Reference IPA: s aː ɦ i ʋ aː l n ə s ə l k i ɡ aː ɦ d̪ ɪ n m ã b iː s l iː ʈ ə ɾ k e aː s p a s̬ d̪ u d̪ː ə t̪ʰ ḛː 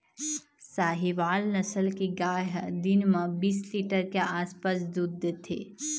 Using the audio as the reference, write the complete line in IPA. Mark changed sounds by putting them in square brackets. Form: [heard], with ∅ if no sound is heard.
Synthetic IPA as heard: s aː ɦ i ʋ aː l n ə s ə l k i ɡ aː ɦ d̪ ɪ n m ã b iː s l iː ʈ ə ɾ k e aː s p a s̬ d̪ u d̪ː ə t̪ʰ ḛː